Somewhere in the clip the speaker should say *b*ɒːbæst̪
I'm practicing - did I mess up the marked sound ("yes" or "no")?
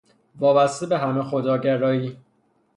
yes